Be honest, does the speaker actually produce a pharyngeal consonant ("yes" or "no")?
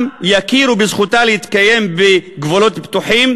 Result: yes